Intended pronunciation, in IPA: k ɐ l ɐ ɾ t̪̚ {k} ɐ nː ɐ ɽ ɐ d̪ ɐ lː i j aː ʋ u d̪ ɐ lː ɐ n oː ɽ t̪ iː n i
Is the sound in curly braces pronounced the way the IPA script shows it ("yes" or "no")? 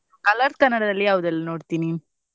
yes